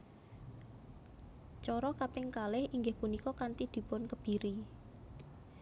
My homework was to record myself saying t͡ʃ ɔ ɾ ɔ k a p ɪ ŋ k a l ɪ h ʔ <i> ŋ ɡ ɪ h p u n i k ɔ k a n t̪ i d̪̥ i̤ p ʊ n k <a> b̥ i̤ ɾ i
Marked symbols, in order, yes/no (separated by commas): yes, no